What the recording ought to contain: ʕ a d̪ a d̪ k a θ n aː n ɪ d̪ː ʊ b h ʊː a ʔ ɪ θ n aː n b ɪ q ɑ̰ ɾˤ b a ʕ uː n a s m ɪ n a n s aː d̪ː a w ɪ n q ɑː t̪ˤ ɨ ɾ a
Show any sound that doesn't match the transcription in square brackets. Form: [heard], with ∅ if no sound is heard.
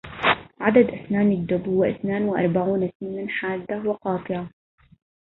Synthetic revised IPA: ʕ a d̪ a d̪ [ʔ] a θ n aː n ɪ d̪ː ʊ b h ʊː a ʔ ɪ θ n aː n [w] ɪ [ʔ] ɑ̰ ɾˤ b a ʕ uː n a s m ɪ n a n [ħ] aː d̪ː a w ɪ [∅] q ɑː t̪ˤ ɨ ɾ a